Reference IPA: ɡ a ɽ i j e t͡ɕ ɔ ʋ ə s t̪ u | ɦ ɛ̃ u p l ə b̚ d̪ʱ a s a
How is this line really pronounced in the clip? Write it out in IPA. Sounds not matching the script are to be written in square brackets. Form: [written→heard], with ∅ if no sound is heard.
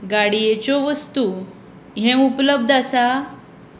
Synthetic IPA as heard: ɡ a ɽ i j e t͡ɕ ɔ ʋ ə s t̪ u | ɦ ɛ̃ u p l ə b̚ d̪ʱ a s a

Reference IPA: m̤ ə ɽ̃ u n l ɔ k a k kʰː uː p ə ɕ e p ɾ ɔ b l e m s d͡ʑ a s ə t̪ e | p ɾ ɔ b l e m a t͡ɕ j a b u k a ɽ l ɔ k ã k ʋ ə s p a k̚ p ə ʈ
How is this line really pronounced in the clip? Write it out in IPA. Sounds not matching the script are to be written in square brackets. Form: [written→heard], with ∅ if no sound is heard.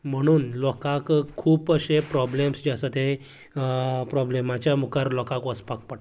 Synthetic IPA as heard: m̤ ə ɽ̃ [u→uː] n l ɔ k a k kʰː uː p ə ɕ e p ɾ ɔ b l e m s d͡ʑ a s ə t̪ e | p ɾ ɔ b l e m a t͡ɕ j a [b→m] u k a [ɽ→ɾ] l ɔ k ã k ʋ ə s p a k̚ p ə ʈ

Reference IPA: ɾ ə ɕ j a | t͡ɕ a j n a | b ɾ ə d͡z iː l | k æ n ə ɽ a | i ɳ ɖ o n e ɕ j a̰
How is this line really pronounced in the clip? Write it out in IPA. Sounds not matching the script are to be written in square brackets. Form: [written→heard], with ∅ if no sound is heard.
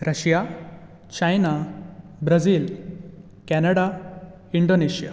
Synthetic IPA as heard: ɾ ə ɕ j a | t͡ɕ a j n a | b ɾ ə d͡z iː l | k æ n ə ɽ a | i ɳ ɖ o n e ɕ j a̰

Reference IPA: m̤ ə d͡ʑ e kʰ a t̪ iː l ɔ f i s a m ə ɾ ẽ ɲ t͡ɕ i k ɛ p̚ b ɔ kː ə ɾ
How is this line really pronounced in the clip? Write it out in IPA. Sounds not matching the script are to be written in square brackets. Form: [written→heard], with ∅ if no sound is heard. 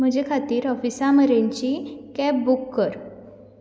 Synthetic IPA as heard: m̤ ə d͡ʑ e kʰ a t̪ iː [l→ɾ] ɔ f i s a m ə ɾ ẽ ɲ t͡ɕ i k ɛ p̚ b [ɔ→u] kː ə ɾ

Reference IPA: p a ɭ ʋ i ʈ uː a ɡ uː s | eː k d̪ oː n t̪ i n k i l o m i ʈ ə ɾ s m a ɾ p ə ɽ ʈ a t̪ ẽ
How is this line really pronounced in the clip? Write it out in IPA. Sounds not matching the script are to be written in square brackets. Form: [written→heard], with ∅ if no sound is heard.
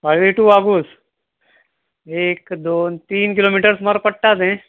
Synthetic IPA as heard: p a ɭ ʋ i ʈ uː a ɡ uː s | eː k d̪ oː n t̪ [i→iː] n k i l o m i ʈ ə ɾ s m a ɾ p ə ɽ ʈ a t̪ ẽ

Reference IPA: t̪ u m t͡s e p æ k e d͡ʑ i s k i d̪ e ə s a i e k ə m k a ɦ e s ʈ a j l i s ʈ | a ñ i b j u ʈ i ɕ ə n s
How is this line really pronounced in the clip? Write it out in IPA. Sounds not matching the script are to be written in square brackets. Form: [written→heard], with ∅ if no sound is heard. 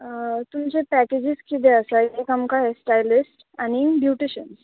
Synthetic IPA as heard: t̪ u m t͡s e p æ k e d͡ʑ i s k i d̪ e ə s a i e k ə m k a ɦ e s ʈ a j l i s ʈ | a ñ i b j u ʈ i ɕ ə n s

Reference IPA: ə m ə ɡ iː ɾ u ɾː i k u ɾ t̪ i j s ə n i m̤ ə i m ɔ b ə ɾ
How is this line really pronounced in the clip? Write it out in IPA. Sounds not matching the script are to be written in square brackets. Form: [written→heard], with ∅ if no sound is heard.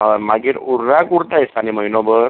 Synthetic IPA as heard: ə m [ə→a] ɡ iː ɾ u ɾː [i→a] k u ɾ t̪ [i→a] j s [ə→a] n i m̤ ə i [m→n] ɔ b ə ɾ

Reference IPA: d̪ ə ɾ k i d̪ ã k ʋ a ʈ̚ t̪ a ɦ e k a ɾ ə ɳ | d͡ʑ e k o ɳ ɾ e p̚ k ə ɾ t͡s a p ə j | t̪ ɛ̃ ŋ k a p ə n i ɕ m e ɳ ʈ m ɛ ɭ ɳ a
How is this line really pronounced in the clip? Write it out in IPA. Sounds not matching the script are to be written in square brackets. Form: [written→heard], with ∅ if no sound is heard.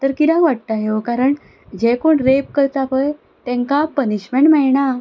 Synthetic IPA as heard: [d̪→t̪] ə ɾ k i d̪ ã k ʋ a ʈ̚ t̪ a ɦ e k a ɾ ə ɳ | d͡ʑ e k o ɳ ɾ e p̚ k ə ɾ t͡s a p ə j | t̪ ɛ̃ ŋ k a p ə n i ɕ m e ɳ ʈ m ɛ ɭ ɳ a

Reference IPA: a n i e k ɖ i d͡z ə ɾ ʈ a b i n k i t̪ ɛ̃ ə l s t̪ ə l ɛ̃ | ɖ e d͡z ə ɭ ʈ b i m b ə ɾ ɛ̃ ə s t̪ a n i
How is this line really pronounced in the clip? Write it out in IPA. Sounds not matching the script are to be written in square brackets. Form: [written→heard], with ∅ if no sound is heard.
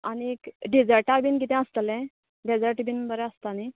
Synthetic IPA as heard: a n i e k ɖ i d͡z ə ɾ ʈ a b i n k i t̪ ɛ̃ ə [l→∅] s t̪ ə l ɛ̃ | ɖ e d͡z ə [ɭ→ɾ] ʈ b i [m→n] b ə ɾ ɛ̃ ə s t̪ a n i

